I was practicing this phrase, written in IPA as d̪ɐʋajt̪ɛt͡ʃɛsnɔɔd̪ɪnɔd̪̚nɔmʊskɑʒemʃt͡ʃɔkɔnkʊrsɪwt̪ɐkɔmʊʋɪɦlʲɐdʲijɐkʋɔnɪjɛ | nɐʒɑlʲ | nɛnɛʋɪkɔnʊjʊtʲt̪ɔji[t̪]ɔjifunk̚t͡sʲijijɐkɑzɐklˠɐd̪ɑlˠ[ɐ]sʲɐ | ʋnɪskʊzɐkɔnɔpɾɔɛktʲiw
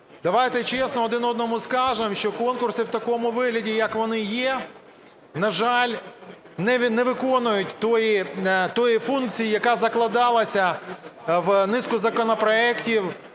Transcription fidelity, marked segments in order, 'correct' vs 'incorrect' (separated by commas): correct, correct